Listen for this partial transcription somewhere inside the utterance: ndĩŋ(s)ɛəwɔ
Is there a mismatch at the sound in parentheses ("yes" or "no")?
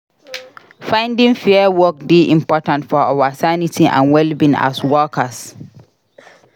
yes